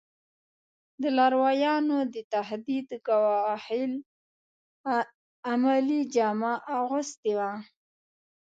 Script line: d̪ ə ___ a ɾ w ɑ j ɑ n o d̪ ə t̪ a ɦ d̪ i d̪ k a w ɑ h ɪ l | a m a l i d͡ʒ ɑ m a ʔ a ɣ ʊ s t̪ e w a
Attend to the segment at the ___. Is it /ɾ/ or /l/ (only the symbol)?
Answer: l